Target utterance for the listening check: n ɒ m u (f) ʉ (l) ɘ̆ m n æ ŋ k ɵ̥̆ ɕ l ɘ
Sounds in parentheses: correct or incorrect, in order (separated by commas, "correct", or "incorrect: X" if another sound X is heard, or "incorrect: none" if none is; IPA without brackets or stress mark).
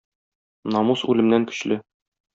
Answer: incorrect: s, correct